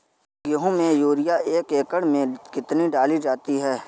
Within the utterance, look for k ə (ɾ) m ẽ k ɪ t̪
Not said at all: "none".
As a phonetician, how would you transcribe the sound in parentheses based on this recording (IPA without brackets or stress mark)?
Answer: ɽ